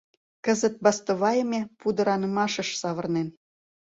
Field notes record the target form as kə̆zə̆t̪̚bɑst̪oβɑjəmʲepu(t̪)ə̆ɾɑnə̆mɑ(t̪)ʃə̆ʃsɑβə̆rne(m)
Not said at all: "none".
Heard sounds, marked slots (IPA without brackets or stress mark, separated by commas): d̪, none, n